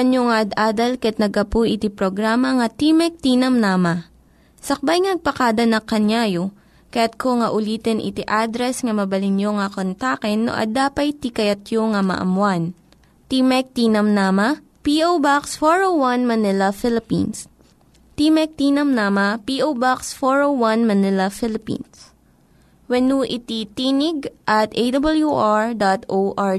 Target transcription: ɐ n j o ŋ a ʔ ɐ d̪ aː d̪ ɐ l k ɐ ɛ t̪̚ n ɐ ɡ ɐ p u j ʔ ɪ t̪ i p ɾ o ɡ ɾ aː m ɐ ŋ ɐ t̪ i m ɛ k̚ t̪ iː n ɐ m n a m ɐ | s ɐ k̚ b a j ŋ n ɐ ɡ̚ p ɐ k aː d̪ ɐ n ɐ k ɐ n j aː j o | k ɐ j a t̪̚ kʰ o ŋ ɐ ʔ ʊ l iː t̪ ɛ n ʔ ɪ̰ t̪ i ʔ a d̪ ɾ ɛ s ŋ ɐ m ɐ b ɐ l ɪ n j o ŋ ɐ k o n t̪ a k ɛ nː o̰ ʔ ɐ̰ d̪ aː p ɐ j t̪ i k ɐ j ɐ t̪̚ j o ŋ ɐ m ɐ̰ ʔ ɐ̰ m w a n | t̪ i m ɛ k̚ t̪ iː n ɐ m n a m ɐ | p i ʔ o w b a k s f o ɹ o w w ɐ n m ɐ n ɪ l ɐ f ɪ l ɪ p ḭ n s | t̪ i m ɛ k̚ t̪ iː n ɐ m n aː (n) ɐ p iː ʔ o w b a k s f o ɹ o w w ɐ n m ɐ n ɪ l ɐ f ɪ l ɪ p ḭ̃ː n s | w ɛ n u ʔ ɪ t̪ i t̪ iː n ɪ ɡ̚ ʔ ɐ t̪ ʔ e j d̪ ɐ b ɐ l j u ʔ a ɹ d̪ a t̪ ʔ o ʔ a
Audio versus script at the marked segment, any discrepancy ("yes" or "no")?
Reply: yes